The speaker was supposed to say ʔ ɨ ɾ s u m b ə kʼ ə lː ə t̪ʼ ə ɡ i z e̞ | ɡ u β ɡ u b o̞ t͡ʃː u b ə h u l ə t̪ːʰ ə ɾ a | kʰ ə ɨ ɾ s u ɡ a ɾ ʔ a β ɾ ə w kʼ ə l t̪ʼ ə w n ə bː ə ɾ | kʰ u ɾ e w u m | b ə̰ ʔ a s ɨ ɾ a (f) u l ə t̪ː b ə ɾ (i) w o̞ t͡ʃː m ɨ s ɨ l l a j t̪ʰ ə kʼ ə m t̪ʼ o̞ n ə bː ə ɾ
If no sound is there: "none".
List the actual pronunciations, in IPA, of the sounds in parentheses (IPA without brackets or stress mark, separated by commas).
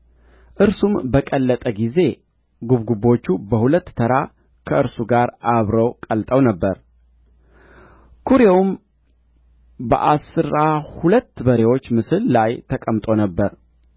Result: h, e